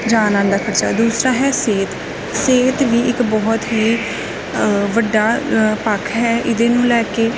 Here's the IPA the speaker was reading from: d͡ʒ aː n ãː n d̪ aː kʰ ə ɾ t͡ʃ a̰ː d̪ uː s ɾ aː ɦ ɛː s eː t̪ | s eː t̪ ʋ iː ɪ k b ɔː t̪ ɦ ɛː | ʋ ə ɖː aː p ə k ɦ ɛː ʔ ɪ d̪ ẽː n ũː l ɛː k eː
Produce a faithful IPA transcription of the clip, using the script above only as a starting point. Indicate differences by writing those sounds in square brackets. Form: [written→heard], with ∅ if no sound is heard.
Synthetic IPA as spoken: d͡ʒ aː n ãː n d̪ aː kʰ ə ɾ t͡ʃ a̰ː d̪ uː s ɾ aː ɦ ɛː s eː t̪ | s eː t̪ ʋ iː ɪ k b ɔː t̪ ɦ [ɛː→iː] | ʋ ə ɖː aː p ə [k→kʰ] ɦ ɛː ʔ ɪ d̪ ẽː n ũː l ɛː k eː

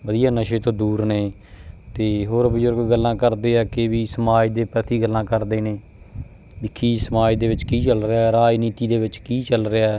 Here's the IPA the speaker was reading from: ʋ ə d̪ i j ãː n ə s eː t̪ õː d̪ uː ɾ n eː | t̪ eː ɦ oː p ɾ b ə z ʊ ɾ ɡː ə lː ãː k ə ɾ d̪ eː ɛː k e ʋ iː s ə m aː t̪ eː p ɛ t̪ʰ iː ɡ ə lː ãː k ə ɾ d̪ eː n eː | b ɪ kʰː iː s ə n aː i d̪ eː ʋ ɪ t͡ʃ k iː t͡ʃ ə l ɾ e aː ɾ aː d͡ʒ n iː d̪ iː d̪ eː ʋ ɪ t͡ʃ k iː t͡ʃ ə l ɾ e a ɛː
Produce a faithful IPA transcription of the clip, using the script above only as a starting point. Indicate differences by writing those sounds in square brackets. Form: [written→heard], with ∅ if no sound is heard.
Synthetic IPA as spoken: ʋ ə d̪ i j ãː n ə [s→ʃ] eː t̪ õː d̪ uː ɾ n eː | t̪ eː ɦ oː [p→∅] ɾ b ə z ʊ ɾ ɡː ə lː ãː k ə ɾ d̪ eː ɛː k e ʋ iː s ə m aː [t̪→d̪] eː p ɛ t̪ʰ iː ɡ ə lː ãː k ə ɾ d̪ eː n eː | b ɪ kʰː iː s ə [n→m] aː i d̪ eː ʋ ɪ t͡ʃ k iː t͡ʃ ə l ɾ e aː ɾ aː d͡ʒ n iː [d̪→t̪] iː d̪ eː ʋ ɪ t͡ʃ k iː t͡ʃ ə l ɾ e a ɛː

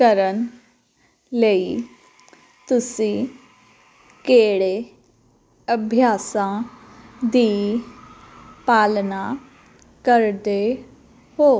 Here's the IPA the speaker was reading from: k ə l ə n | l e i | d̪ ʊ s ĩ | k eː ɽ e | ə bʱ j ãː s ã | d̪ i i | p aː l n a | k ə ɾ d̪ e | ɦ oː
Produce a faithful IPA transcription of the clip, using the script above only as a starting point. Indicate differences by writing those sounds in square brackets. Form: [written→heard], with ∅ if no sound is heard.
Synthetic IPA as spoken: k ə [l→ɾ] ə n | l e i | [d̪→t̪] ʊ s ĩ | k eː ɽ e | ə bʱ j [ãː→aː] s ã | d̪ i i | p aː l n a | k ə ɾ d̪ e | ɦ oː

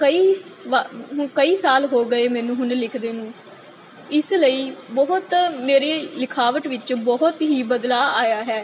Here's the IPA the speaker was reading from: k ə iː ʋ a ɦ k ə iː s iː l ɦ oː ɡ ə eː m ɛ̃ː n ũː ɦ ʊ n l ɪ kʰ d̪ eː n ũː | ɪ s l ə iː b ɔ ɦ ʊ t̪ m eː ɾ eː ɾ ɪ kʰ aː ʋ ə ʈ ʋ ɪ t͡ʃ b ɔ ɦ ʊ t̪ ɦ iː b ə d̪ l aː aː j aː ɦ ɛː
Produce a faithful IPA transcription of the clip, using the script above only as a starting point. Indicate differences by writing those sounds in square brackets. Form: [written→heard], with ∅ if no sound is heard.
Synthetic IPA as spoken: k ə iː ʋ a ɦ k ə iː s [iː→aː] l ɦ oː ɡ ə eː m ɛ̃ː n ũː ɦ ʊ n l ɪ kʰ d̪ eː n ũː | ɪ s l ə iː b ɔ ɦ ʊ t̪ m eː ɾ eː [ɾ→l] ɪ kʰ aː ʋ ə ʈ ʋ ɪ t͡ʃ b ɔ ɦ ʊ t̪ ɦ iː b ə d̪ l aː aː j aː ɦ ɛː

